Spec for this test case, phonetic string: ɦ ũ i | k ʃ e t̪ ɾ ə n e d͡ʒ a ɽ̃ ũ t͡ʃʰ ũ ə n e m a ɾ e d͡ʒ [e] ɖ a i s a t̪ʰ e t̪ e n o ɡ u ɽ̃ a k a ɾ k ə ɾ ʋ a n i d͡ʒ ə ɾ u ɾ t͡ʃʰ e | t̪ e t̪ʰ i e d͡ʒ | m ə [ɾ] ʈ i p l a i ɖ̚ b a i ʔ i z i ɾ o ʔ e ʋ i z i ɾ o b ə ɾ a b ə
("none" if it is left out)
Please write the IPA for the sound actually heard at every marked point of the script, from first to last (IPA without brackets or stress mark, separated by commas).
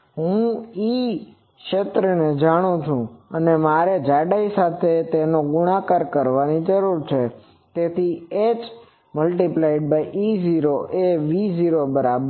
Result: a, l